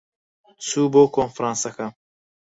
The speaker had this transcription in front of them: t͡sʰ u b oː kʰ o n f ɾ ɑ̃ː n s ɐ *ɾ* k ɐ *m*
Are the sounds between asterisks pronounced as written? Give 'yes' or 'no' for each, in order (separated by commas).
no, yes